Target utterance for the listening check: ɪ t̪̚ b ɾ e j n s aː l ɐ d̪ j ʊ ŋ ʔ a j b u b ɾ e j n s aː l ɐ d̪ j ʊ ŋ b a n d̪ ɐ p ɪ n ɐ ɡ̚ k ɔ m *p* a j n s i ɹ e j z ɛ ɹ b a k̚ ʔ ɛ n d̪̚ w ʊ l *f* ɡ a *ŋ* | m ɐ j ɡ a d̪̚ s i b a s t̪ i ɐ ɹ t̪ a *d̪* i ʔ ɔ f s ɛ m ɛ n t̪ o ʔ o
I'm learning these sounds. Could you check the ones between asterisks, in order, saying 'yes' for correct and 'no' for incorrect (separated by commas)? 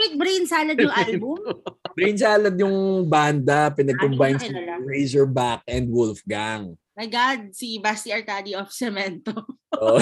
no, yes, yes, yes